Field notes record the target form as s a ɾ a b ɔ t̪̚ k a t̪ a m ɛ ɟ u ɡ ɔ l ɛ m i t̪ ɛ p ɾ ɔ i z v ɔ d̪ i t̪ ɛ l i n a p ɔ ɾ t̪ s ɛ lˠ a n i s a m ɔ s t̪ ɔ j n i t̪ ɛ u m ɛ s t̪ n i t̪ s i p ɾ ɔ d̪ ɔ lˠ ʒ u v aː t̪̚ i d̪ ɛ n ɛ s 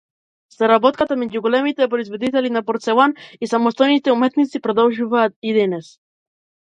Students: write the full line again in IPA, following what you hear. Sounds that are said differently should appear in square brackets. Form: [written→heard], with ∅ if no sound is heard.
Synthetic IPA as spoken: s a ɾ a b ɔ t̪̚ k a t̪ a m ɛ ɟ u ɡ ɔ l ɛ m i t̪ ɛ p ɾ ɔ i z v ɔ d̪ i t̪ ɛ l i n a p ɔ ɾ t̪ s ɛ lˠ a n i s a m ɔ s t̪ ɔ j n i t̪ ɛ u m ɛ [s→∅] t̪ n i t̪ s i p ɾ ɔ d̪ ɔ lˠ ʒ u v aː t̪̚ i d̪ ɛ n ɛ s